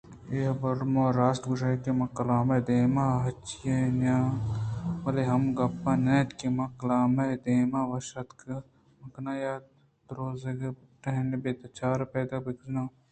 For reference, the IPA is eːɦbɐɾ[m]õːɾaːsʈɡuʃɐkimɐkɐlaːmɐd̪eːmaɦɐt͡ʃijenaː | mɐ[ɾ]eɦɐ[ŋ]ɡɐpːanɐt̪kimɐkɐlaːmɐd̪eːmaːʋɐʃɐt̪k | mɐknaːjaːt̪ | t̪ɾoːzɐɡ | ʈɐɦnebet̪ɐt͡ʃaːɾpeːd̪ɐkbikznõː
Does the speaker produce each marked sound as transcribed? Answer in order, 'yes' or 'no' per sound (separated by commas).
yes, no, no